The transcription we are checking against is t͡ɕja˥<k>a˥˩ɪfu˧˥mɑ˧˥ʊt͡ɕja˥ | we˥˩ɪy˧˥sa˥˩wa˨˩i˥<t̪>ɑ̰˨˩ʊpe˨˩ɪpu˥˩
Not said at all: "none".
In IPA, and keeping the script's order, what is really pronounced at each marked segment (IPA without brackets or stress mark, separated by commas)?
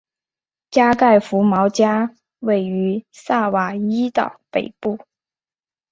k, t̪